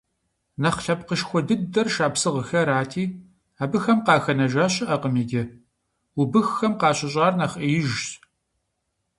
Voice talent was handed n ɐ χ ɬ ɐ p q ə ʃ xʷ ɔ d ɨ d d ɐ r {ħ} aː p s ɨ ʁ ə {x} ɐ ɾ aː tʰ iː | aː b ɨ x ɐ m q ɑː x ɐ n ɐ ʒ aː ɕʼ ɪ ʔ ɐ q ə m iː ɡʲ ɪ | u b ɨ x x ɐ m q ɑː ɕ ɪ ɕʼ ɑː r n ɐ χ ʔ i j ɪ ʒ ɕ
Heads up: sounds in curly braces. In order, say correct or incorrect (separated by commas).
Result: incorrect, correct